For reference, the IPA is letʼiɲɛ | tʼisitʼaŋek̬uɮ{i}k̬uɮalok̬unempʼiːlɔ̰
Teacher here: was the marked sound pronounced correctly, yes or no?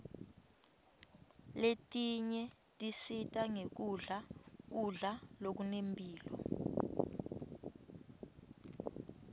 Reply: no